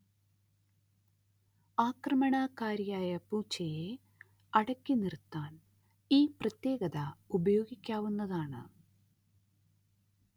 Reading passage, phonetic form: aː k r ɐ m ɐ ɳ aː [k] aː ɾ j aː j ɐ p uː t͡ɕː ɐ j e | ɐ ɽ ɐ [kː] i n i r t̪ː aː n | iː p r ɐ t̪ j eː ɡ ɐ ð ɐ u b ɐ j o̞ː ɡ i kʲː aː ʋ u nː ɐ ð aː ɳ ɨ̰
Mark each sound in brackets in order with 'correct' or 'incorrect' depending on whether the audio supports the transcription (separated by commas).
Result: correct, correct